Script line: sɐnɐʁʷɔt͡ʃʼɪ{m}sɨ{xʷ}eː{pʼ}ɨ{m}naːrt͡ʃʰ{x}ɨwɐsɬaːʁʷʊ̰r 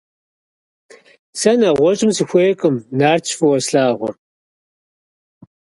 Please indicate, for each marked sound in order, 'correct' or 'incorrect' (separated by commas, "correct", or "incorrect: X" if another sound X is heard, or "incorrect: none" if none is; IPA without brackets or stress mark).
correct, correct, incorrect: kʼ, correct, incorrect: f